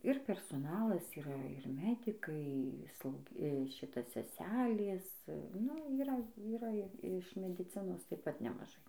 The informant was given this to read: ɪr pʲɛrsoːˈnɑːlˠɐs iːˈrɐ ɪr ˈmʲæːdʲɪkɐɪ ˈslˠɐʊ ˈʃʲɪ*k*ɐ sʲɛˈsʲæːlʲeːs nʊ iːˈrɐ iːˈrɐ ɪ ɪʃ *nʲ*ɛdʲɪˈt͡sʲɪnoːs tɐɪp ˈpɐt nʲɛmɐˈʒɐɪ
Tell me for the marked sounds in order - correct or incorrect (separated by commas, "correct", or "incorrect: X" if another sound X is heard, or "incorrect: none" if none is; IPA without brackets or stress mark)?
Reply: incorrect: t, incorrect: mʲ